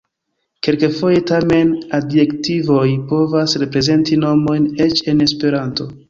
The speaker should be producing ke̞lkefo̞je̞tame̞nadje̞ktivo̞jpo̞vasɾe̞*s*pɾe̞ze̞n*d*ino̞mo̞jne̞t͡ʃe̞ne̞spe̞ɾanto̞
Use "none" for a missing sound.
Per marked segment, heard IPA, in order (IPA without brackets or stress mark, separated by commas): none, t